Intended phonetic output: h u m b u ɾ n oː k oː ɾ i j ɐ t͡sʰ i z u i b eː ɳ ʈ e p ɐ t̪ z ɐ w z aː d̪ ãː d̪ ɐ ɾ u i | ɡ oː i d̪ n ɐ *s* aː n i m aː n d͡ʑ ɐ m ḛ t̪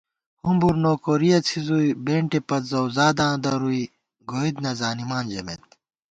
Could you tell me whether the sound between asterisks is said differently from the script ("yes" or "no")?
yes